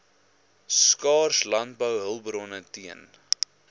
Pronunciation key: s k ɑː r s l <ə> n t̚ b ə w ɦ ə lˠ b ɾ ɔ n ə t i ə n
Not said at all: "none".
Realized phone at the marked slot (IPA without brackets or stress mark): ɐ